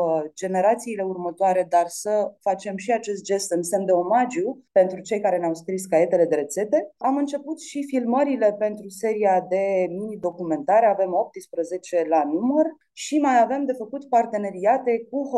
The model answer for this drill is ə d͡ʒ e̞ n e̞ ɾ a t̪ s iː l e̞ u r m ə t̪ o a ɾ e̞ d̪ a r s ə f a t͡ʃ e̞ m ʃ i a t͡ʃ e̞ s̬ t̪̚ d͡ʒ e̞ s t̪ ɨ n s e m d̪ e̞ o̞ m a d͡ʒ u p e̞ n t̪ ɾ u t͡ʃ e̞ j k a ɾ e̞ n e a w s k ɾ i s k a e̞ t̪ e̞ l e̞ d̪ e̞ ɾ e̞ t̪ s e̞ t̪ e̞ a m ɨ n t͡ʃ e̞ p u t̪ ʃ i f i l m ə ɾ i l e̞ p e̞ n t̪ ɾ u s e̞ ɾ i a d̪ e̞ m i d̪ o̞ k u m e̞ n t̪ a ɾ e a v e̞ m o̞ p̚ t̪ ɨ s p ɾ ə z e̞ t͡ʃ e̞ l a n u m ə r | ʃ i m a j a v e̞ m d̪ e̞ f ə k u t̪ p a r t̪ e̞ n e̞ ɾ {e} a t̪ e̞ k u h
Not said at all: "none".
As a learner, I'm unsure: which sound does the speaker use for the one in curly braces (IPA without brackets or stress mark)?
i